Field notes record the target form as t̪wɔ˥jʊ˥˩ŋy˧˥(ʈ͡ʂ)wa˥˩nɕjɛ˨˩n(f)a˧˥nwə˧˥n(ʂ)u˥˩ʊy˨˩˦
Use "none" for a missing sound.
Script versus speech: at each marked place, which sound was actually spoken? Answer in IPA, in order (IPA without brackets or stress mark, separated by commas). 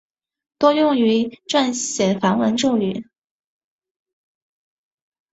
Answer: ʈ͡ʂ, f, ʈ͡ʂ